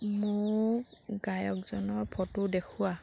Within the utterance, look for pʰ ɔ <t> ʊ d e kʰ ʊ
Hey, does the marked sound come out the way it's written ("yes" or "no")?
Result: yes